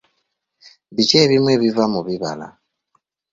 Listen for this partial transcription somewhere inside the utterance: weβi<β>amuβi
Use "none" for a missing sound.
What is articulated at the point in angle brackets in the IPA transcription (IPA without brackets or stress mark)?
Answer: v